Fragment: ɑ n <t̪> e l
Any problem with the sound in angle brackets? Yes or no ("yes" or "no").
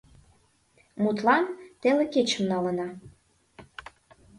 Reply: no